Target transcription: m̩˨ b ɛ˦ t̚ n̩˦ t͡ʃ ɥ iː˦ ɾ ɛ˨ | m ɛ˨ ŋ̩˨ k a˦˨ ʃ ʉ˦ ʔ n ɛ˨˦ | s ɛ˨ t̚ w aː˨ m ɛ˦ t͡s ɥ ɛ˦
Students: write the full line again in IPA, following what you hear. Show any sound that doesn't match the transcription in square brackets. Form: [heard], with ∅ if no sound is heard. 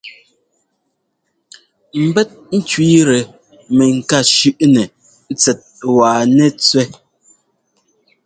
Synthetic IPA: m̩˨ b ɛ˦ t̚ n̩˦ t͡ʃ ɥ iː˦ ɾ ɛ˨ | m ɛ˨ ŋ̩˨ k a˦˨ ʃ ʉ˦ ʔ n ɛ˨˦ | [t͡s] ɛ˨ t̚ w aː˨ [n] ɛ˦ t͡s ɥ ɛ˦